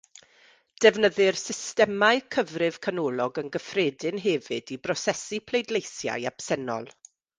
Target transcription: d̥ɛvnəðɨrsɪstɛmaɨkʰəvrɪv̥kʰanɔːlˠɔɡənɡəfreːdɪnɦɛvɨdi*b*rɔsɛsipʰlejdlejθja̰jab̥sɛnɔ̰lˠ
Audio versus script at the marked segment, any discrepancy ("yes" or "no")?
no